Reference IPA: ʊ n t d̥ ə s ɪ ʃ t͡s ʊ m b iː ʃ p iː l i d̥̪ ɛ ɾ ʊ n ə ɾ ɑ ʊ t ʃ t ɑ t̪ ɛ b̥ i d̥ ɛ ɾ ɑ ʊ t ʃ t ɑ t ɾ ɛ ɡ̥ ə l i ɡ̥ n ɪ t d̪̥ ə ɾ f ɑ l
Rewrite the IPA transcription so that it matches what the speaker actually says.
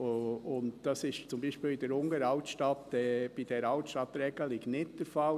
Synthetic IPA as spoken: ʊ n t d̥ ɑ s ɪ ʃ t͡s ʊ m b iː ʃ p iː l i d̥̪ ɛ ɾ ʊ ŋ ə ɾ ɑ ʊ t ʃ t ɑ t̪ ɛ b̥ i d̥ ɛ ɾ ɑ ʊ t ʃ t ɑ t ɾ ɛ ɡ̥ ə l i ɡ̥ n ɪ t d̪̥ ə ɾ f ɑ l